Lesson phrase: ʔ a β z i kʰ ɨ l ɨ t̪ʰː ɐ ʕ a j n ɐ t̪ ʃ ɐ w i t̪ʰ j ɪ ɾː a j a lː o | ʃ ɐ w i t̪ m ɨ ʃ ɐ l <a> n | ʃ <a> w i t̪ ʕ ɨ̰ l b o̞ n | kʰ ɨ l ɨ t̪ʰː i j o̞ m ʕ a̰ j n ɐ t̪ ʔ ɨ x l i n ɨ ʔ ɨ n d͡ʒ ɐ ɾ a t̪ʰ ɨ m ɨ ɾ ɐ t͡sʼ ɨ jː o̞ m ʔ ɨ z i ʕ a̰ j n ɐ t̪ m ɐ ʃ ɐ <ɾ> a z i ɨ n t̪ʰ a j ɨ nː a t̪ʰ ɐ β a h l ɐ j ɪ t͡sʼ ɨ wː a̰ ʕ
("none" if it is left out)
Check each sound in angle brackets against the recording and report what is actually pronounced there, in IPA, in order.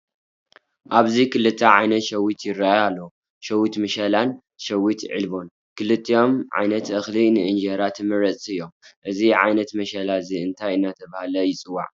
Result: a, ɐ, l

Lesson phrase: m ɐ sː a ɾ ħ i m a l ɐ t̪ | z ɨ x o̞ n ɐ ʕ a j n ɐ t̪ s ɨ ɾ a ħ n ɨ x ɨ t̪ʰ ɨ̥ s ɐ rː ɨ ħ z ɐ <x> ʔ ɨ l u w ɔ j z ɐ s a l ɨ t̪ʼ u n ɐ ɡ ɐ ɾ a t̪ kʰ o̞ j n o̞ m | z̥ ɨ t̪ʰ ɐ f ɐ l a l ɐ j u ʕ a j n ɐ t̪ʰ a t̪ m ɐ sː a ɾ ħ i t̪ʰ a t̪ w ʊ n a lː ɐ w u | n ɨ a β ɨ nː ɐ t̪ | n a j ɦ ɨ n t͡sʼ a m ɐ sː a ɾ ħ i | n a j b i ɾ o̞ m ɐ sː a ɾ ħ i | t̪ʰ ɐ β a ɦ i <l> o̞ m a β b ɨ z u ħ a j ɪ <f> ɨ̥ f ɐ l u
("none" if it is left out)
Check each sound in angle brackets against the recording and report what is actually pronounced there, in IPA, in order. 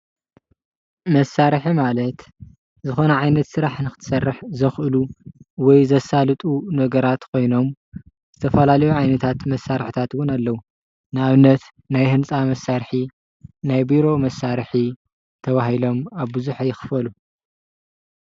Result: x, l, x

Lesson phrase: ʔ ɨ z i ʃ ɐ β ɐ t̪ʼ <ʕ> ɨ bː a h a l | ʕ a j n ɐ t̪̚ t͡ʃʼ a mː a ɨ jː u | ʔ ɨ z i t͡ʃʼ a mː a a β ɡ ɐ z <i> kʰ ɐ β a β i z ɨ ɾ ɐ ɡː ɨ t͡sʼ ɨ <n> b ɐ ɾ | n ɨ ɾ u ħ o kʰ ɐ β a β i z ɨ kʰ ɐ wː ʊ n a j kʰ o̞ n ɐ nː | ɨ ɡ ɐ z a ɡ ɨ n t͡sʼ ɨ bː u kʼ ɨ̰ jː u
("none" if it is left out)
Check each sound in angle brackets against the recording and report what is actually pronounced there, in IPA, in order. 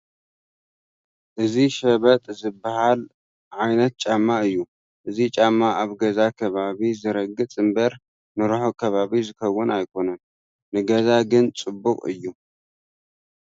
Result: z, a, m

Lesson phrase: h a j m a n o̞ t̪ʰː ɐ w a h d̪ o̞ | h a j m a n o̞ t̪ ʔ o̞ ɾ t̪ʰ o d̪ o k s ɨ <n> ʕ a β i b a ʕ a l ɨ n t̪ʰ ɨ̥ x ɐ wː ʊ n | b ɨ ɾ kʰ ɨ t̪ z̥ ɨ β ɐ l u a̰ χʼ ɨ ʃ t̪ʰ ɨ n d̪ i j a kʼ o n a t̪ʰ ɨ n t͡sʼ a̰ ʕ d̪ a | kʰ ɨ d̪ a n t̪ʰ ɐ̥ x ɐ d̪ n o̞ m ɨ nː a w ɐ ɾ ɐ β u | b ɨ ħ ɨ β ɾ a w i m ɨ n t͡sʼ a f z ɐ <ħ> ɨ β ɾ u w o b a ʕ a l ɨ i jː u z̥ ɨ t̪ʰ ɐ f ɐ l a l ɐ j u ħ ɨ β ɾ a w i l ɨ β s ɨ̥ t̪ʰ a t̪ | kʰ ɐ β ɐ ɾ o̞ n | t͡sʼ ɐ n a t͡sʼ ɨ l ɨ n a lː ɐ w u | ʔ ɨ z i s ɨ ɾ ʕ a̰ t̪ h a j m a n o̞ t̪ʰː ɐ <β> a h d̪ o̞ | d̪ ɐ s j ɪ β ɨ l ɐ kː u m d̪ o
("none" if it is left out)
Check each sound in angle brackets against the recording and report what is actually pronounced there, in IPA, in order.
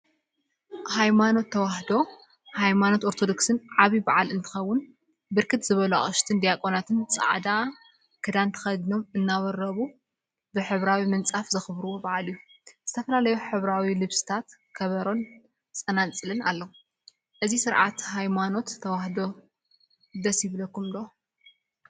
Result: n, x, w

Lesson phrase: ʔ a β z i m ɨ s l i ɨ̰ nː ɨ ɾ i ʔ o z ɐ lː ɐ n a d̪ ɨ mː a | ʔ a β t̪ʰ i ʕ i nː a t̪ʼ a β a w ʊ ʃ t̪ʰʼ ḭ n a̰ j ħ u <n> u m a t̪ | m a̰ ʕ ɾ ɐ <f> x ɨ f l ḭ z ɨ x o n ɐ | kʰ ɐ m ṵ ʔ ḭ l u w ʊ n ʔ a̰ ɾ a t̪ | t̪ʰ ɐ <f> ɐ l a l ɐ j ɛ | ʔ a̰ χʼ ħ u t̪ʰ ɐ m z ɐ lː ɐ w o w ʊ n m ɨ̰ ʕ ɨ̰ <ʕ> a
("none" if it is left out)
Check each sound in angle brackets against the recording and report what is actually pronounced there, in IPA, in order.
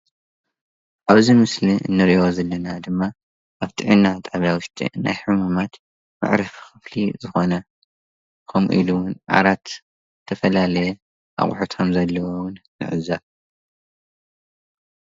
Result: m, f, f, z

